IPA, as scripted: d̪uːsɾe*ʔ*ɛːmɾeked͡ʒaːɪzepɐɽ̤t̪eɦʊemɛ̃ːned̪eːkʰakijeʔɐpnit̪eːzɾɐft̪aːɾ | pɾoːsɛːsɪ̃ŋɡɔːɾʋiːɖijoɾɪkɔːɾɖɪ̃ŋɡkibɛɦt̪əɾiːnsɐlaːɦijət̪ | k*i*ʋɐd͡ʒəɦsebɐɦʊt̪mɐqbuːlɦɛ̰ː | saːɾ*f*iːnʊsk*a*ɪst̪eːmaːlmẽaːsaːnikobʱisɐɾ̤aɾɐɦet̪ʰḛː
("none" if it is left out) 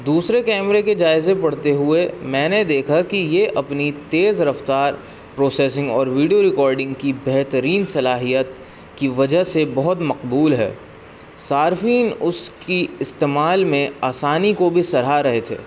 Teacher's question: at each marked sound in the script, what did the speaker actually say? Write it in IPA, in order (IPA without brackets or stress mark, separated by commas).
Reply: k, i, f, i